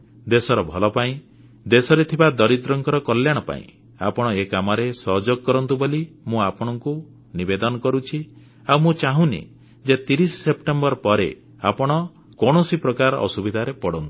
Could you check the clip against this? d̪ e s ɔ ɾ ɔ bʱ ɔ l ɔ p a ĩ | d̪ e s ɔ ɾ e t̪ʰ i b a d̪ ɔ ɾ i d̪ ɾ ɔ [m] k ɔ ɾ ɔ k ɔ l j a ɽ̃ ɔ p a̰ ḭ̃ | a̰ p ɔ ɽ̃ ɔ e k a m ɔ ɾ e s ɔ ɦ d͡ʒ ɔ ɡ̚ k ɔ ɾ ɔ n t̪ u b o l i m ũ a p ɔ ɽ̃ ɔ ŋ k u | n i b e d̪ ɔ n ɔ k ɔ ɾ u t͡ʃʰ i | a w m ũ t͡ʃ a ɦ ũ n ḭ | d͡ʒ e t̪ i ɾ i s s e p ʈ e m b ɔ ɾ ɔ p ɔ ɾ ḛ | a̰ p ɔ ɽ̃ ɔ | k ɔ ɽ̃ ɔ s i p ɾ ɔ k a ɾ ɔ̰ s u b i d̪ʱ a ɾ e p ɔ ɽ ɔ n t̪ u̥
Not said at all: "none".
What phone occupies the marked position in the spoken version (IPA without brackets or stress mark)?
ŋ